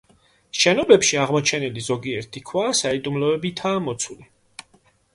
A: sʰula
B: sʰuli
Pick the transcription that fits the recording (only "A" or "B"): B